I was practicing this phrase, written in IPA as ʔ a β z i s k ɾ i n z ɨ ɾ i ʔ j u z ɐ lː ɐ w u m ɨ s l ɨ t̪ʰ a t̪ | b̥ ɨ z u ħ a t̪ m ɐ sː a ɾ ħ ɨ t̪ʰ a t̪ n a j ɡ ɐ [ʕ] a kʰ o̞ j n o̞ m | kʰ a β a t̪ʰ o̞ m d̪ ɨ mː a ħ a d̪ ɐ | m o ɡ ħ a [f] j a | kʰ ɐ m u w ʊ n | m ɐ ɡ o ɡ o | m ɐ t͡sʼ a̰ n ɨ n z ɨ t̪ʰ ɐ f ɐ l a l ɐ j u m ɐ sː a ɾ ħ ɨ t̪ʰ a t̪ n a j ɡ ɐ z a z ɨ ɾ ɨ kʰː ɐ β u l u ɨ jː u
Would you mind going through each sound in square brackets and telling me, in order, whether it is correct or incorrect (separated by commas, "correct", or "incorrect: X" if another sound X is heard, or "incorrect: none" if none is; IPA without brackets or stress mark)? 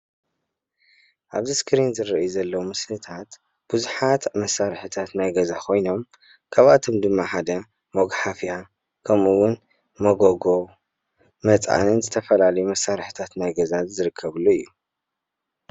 incorrect: z, correct